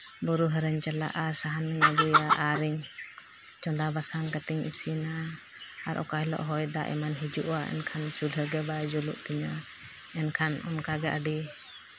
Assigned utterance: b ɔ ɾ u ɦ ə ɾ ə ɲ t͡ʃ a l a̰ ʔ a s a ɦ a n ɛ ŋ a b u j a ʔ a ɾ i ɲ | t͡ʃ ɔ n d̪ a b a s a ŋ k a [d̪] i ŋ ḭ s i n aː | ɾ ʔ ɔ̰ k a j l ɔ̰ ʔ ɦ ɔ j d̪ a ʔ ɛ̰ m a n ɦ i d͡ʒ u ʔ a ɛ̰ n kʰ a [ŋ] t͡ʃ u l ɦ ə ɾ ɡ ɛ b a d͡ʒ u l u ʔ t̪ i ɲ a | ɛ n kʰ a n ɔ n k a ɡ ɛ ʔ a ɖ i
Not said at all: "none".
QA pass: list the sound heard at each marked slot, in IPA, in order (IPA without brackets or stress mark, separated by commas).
t̪, n